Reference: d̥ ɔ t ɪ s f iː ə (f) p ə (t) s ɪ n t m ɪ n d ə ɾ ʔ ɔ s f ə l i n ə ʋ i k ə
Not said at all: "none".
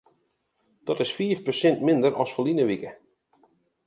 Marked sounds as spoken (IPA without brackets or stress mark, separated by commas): f, none